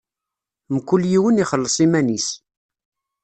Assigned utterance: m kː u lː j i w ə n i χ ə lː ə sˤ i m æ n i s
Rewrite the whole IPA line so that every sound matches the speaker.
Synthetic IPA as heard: m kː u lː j i w ə n i χ ə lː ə sˤ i m æ n i s